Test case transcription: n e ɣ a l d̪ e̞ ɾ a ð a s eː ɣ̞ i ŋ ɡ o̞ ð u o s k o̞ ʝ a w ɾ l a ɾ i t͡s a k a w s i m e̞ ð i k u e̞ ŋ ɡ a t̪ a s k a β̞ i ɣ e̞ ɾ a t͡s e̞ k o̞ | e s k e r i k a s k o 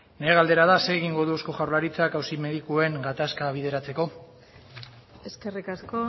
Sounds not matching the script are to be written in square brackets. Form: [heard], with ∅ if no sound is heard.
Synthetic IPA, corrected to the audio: n e ɣ a l d̪ e̞ ɾ a ð a s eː ɣ̞ i ŋ ɡ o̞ ð u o s k o̞ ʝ a w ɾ l a ɾ i t͡s a k a w s i m e̞ ð i k u e̞ ŋ ɡ a t̪ a s k a β̞ i [ð] e̞ ɾ a t͡s e̞ k o̞ | e s k e r i k a s k o